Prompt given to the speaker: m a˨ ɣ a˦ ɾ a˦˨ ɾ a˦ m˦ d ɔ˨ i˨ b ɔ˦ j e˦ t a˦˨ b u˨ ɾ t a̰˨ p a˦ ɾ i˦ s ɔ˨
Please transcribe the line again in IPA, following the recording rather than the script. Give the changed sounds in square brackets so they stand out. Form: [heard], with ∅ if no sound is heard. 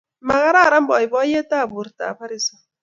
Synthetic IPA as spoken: m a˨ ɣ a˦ ɾ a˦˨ ɾ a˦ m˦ [b] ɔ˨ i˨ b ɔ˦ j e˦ t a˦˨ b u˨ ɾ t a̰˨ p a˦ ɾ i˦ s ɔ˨